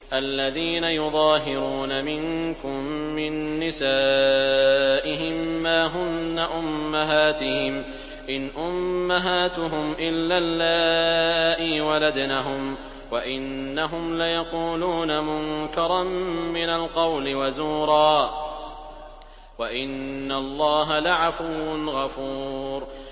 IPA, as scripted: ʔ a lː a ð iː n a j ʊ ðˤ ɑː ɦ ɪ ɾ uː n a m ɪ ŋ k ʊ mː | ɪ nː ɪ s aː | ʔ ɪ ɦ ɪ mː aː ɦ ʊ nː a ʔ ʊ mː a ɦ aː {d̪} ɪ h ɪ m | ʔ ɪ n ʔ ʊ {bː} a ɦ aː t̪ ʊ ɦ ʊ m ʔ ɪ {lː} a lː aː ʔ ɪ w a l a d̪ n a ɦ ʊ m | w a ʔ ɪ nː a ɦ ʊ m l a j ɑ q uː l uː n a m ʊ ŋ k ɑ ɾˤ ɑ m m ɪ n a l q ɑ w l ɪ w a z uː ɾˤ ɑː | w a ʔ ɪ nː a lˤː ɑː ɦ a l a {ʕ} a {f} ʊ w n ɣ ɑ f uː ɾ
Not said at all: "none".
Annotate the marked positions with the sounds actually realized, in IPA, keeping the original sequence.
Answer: t̪, mː, lː, ʕ, f

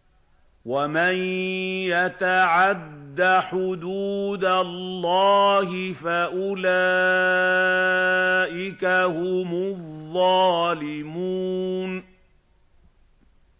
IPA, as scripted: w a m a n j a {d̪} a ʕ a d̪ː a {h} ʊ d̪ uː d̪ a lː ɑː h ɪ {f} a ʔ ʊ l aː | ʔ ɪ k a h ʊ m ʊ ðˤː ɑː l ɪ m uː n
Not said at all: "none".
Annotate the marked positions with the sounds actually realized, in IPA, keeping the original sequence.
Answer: t̪, ħ, f

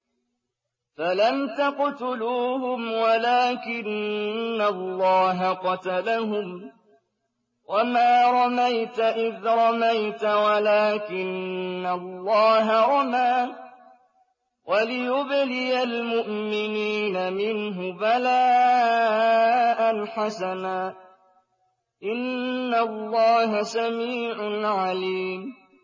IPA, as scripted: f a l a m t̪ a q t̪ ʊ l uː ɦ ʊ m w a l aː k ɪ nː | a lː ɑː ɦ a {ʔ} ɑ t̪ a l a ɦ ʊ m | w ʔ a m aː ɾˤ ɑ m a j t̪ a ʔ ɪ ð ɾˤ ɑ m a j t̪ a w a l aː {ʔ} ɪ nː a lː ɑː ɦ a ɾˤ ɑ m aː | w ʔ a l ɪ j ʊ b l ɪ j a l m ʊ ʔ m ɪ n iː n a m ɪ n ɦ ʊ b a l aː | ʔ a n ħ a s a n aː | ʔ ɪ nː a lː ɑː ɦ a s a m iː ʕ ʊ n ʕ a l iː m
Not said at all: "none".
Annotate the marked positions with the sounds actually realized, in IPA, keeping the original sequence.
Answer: q, k

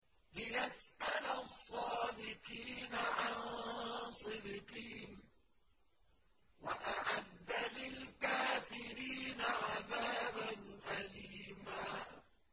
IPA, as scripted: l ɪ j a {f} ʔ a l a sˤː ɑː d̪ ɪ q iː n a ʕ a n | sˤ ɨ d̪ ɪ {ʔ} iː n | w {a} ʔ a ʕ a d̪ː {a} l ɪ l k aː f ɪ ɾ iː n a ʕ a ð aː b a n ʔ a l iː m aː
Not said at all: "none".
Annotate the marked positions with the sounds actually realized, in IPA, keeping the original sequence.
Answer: s, q, a, a

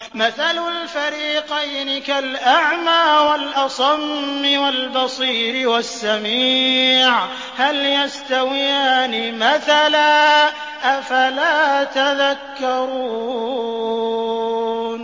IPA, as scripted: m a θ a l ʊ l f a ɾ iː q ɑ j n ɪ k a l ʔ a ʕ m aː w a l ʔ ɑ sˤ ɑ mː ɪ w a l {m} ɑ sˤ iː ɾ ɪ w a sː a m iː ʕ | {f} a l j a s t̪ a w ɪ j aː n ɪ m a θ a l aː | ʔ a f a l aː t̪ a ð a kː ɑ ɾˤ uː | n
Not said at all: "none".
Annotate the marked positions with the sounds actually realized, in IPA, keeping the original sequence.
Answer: b, h

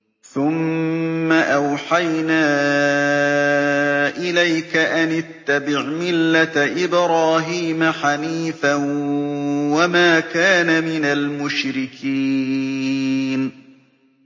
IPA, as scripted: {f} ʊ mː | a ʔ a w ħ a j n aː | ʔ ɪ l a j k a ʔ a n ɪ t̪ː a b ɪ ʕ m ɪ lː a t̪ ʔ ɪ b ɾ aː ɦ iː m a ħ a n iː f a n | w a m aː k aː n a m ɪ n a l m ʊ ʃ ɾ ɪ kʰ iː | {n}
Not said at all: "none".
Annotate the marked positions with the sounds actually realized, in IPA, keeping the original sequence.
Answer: θ, n

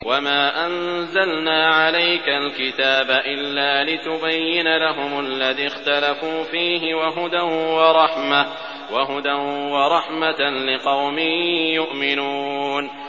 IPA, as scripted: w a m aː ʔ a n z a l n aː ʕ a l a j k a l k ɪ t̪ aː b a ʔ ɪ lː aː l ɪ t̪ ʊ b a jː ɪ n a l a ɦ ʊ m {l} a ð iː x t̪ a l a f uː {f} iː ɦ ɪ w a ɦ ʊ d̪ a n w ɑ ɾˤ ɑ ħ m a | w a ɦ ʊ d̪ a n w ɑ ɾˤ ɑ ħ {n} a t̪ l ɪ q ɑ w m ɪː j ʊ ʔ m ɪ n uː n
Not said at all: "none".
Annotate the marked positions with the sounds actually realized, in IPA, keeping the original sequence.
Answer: lː, f, m

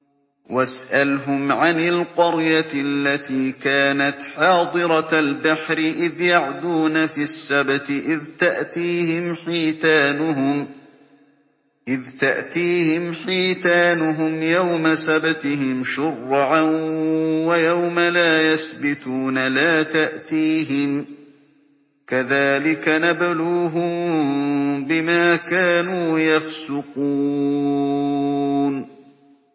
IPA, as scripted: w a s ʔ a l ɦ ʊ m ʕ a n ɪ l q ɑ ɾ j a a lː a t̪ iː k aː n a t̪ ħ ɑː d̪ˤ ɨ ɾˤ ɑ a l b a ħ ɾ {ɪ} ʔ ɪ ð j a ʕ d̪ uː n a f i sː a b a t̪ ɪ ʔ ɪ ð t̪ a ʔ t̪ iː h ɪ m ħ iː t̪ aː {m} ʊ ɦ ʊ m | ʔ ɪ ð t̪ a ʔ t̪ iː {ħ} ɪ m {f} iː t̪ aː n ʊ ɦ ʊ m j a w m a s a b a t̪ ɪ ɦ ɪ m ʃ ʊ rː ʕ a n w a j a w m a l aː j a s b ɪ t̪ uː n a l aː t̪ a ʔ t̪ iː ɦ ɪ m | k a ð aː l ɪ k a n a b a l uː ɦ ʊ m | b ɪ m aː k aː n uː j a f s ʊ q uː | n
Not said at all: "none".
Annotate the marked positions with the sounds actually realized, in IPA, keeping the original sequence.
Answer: ɪ, n, h, ħ

